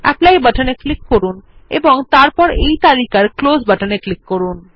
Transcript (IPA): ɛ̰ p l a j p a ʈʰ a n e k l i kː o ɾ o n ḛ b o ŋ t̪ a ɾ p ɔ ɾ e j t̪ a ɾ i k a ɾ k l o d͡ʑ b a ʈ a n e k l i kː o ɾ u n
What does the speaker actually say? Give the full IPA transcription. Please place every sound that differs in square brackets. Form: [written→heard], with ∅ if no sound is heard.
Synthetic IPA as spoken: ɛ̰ p l a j [p→b] a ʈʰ a n e k l i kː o ɾ [o→u] n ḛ b o ŋ t̪ a ɾ p ɔ ɾ e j t̪ a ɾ i k a ɾ k l o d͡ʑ b a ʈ a n e k l i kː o ɾ u n